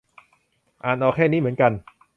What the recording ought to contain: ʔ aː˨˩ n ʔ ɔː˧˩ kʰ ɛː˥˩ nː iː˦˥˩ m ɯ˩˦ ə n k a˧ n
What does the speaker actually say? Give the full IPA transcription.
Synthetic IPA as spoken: ʔ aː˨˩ n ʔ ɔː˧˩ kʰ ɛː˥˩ n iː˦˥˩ m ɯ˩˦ ə n k a˧ n